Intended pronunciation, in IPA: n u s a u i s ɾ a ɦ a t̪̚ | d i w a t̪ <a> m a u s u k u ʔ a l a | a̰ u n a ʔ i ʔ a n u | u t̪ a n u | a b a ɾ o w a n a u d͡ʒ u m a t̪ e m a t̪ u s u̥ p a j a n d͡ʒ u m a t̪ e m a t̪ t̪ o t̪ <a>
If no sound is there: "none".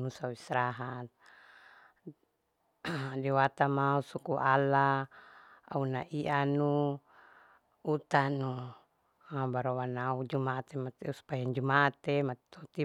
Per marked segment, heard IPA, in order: a, i

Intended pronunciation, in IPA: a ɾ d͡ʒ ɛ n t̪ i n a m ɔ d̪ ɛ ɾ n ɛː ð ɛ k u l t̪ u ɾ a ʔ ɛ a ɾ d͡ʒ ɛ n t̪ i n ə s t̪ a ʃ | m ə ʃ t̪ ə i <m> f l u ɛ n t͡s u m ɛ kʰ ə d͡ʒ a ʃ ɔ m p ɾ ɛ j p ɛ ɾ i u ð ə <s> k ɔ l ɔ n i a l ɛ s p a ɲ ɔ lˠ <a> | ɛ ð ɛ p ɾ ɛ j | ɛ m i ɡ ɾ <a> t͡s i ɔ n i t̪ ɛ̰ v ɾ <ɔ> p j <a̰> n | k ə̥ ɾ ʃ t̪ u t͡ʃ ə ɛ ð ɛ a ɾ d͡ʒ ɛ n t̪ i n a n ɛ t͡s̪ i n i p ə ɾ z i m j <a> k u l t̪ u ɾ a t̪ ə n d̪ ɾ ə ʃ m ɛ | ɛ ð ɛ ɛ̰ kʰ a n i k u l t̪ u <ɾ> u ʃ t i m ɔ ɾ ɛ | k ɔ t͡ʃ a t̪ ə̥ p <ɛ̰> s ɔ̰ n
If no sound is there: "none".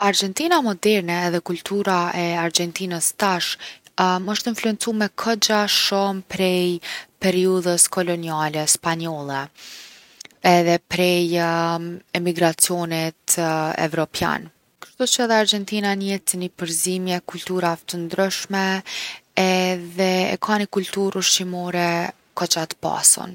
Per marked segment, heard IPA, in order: n, s, ɛ, a, ɔ, a̰, ɛ, ɾ, a̰

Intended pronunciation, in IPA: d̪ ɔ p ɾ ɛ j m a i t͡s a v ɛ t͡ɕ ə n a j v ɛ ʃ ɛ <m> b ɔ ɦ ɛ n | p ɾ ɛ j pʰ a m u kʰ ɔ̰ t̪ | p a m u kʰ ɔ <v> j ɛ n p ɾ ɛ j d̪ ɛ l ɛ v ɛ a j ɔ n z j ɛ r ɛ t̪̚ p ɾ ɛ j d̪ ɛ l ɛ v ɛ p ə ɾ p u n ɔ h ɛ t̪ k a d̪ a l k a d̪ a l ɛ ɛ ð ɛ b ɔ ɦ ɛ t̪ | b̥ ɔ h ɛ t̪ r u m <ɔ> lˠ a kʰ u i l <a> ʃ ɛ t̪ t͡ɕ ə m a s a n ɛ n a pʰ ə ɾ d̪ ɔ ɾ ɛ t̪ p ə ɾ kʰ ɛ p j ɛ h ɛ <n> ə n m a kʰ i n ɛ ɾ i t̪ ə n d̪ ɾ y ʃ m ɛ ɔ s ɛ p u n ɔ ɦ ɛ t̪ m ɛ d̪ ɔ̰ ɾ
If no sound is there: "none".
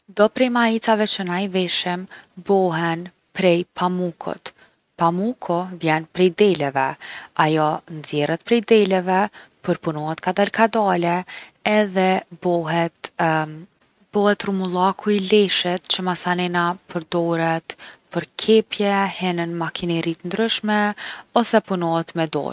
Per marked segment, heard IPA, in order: m, v, u, ɛ, n

